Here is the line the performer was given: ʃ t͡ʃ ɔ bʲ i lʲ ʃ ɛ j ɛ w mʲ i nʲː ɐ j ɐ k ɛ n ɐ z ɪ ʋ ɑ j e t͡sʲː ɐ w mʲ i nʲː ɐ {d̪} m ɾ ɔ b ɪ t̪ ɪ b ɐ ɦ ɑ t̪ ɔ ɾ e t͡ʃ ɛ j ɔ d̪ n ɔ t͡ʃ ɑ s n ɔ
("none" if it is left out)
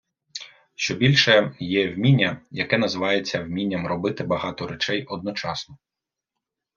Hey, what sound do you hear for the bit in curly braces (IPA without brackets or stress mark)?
none